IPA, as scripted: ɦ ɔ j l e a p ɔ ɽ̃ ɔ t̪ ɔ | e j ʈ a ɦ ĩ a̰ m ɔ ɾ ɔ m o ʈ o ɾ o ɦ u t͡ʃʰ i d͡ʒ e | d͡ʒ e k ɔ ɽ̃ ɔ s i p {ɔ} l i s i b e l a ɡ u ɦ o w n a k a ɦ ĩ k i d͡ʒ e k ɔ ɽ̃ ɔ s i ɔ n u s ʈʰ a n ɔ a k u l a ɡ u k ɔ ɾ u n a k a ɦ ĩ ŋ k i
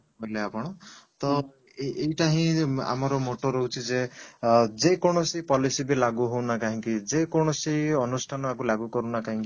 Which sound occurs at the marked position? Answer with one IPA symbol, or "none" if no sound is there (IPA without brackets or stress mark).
ɔ